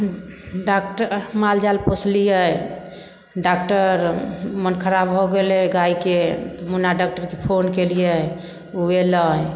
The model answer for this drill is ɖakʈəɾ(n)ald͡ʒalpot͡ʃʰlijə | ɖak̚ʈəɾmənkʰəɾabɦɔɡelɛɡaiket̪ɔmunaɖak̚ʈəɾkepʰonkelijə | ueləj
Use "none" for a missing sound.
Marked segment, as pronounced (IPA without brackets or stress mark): m